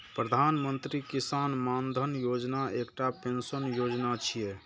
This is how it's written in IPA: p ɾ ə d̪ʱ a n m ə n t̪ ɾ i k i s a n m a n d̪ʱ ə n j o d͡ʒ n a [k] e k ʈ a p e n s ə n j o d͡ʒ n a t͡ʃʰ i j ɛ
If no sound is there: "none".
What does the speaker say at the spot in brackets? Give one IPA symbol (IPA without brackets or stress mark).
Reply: none